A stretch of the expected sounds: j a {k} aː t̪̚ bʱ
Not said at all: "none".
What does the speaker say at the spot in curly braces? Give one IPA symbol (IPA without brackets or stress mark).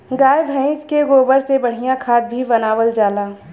kʰ